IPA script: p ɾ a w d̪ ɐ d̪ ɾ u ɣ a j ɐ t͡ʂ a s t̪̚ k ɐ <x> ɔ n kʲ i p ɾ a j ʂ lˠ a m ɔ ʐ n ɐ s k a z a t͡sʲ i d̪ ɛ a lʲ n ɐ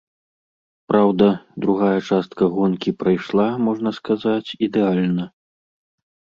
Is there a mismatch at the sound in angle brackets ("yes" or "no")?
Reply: yes